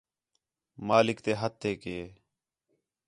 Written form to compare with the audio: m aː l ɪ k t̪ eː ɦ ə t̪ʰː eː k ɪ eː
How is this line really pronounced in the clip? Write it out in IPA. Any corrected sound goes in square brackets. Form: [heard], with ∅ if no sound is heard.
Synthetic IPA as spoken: m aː l ɪ k t̪ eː ɦ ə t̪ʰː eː k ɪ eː